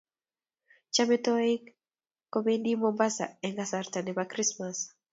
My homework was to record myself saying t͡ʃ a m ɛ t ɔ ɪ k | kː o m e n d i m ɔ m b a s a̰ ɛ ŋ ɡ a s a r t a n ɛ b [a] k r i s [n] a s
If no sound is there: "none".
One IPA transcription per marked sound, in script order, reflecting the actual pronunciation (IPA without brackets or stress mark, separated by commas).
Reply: a, m